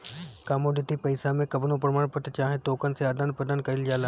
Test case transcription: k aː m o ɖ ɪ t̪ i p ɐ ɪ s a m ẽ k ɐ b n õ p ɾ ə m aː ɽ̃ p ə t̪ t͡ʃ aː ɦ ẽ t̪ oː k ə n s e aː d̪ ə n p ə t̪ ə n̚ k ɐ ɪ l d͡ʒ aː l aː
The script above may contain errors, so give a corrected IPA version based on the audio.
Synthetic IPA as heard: k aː m o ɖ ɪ t̪ i p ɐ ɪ s a m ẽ k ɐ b n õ p ɾ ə m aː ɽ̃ p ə t̪ t͡ʃ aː ɦ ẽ t̪ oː k ə n s e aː d̪ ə n p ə d̪ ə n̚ k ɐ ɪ l d͡ʒ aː l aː